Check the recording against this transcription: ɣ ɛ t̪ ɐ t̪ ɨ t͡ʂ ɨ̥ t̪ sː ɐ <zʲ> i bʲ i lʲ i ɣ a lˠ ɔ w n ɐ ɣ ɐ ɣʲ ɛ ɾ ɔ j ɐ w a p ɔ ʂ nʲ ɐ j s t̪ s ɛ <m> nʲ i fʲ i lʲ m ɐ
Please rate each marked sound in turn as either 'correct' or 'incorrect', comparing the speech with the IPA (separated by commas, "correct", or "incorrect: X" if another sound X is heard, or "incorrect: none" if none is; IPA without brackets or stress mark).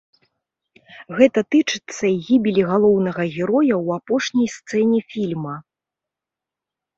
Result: incorrect: ɣʲ, incorrect: none